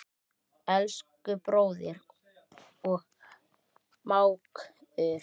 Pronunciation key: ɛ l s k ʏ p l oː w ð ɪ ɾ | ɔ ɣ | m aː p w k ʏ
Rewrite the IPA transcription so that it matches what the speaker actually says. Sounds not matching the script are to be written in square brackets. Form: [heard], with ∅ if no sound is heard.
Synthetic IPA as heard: ɛ l s k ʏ p [ɾ] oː w ð ɪ ɾ | ɔ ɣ | m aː [∅] w k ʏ